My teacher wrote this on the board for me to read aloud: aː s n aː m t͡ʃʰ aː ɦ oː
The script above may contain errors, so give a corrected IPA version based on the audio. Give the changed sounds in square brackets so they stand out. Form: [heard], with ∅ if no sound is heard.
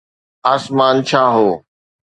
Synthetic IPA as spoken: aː s [m] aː [n] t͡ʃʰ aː ɦ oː